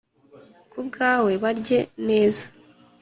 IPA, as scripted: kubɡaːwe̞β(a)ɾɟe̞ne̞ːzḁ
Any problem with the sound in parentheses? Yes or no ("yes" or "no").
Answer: no